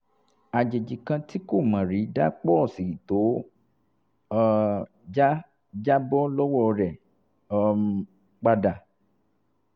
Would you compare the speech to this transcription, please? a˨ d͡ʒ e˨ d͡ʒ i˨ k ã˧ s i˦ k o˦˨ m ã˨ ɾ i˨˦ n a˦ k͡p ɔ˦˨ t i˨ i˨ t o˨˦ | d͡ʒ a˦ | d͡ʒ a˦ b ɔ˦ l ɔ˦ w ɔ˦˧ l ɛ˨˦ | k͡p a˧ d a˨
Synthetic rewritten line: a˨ d͡ʒ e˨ d͡ʒ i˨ k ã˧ t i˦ k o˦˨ m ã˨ ɾ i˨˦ d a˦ k͡p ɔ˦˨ s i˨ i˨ t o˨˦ | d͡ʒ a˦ | d͡ʒ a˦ b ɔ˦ l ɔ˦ w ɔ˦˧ ɾ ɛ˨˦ | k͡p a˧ d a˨